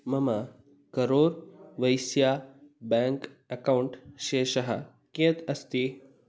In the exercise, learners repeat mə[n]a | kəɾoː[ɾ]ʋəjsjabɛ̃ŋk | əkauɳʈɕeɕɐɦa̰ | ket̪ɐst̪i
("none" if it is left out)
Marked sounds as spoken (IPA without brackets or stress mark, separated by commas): m, ɾ